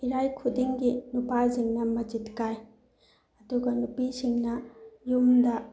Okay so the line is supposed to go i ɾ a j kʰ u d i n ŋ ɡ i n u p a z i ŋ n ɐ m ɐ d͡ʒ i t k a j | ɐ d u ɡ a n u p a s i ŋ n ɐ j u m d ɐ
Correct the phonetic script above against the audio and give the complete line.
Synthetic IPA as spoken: i ɾ a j kʰ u d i ŋ ɡ i n u p a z i ŋ n ɐ m ɐ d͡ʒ i t k a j | ɐ d u ɡ ɐ n u p i s i ŋ n ɐ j u m d ɐ